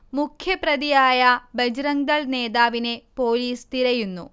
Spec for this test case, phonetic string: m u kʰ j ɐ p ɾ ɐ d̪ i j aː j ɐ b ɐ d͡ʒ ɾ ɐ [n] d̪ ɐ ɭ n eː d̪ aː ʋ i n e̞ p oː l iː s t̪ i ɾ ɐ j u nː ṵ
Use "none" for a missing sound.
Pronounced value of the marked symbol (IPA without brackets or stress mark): ŋ